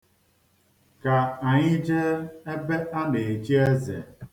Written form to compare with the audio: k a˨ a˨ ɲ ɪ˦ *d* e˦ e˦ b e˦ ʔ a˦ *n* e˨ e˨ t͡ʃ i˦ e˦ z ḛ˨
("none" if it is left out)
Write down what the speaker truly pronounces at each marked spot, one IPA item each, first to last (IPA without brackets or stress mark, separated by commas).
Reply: d͡ʒ, n